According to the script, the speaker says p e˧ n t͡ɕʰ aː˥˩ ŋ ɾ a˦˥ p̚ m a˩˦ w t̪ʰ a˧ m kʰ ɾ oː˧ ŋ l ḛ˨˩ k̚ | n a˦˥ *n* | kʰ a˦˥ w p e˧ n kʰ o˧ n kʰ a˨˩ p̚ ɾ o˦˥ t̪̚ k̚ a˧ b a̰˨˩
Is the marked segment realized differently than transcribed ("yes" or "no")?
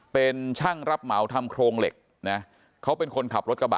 yes